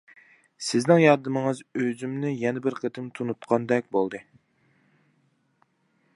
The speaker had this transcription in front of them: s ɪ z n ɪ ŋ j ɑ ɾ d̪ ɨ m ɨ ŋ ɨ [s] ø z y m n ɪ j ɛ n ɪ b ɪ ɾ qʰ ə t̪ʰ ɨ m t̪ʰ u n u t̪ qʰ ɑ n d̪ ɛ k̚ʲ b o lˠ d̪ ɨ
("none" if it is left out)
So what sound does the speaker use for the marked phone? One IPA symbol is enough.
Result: z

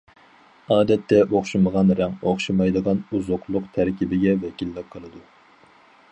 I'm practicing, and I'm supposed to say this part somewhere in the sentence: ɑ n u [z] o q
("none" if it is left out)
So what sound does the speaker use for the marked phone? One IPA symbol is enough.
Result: z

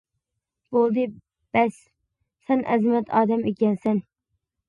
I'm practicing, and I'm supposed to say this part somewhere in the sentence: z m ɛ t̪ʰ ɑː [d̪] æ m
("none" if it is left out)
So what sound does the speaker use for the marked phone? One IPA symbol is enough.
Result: d̪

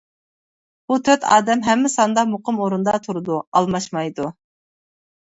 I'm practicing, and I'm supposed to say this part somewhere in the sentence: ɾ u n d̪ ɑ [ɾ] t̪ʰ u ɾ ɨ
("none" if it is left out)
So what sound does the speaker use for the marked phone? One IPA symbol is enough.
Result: none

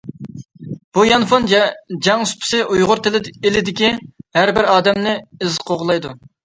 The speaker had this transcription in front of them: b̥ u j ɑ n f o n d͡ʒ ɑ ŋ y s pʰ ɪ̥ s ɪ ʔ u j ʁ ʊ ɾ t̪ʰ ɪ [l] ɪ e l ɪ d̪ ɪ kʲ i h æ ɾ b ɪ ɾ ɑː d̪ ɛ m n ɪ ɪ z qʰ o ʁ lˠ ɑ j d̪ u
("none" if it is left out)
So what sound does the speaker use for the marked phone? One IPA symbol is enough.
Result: l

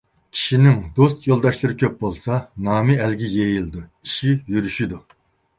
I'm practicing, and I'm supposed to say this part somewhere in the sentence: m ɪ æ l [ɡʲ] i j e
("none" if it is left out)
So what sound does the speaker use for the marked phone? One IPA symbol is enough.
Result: ɡʲ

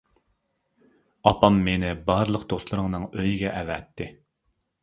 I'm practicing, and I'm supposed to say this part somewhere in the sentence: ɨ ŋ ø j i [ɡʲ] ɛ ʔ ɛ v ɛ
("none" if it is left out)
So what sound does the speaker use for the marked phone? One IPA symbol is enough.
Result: ɡʲ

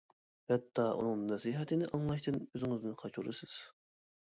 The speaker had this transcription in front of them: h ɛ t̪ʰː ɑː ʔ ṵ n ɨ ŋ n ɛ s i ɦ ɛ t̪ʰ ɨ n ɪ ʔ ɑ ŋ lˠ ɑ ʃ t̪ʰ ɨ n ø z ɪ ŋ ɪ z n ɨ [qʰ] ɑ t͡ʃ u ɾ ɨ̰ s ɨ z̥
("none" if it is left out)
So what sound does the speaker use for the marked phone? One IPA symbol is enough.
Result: qʰ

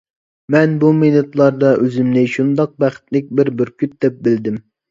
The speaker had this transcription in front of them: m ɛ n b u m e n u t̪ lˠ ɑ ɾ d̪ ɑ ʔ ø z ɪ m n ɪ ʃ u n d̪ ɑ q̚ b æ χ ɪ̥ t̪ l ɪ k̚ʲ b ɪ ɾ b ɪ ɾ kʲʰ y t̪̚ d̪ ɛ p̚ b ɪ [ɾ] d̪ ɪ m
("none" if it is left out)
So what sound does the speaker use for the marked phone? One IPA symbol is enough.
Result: l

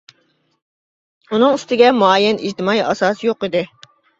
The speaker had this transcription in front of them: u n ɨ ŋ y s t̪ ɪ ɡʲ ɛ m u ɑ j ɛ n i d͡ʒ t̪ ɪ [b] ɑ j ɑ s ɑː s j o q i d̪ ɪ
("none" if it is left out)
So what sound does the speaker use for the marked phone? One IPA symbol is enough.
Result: m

